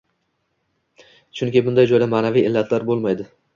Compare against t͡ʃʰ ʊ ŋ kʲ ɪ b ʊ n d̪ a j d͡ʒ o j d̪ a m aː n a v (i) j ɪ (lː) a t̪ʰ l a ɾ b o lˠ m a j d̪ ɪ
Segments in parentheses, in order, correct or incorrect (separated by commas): correct, correct